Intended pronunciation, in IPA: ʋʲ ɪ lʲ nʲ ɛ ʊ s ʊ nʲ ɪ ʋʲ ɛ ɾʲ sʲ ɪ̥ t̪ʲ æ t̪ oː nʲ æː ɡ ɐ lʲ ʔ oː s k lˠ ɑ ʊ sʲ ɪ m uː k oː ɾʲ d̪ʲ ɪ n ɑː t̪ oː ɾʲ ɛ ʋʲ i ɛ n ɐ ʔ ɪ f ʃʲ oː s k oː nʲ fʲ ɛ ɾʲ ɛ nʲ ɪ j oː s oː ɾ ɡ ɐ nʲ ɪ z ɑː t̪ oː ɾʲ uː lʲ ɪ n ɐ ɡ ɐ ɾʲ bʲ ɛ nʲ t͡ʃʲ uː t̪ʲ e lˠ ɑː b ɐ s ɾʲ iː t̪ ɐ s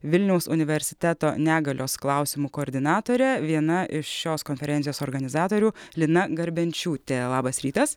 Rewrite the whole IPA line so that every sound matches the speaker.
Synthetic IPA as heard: ʋʲ ɪ lʲ nʲ ɛ ʊ s ʊ nʲ ɪ ʋʲ ɛ ɾʲ sʲ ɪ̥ t̪ʲ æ t̪ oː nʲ æː ɡ ɐ lʲ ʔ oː s k lˠ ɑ ʊ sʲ ɪ m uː k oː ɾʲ d̪ʲ ɪ n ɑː t̪ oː ɾʲ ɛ ʋʲ i ɛ n ɐ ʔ ɪ ʃ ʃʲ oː s k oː nʲ fʲ ɛ ɾʲ ɛ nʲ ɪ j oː s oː ɾ ɡ ɐ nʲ ɪ z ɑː t̪ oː ɾʲ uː lʲ ɪ n ɐ ɡ ɐ ɾʲ bʲ ɛ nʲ t͡ʃʲ uː t̪ʲ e lˠ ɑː b ɐ s ɾʲ iː t̪ ɐ s